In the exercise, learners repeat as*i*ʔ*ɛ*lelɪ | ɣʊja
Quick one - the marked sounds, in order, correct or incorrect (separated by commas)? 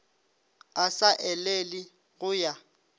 incorrect, correct